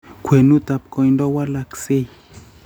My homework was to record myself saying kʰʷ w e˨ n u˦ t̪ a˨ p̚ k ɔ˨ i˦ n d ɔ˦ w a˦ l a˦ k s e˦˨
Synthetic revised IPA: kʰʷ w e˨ n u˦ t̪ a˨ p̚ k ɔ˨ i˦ n d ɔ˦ w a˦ l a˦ k s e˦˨